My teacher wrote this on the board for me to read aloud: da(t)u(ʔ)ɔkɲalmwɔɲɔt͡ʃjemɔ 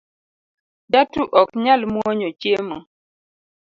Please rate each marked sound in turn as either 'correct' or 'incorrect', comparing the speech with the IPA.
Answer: correct, correct

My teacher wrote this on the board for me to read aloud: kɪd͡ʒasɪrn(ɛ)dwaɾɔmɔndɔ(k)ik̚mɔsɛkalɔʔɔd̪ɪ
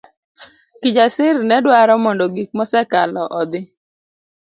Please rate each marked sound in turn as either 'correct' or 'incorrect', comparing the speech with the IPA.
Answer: correct, incorrect: ɡ

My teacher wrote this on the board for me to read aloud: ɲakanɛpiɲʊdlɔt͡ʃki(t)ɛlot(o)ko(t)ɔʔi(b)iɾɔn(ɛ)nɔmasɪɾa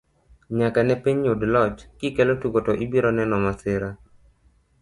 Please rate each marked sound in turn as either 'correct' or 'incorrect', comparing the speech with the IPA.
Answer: incorrect: k, incorrect: u, correct, correct, correct

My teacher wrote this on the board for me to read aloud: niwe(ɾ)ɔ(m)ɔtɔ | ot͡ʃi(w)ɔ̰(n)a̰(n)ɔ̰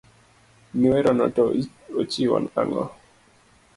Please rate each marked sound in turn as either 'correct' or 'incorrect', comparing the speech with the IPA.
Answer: correct, incorrect: n, correct, correct, incorrect: ŋ

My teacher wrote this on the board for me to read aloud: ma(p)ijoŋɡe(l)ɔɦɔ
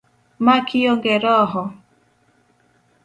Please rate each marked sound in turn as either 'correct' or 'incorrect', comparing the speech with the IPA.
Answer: incorrect: k, incorrect: ɾ

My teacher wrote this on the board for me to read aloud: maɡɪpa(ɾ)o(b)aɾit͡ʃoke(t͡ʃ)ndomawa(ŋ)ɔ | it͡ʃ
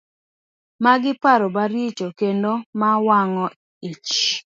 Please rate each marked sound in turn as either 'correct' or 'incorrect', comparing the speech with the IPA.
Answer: correct, correct, incorrect: none, correct

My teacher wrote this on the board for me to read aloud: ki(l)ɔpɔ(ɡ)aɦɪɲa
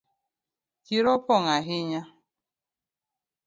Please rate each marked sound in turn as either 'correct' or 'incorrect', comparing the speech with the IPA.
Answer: incorrect: ɾ, incorrect: ŋ

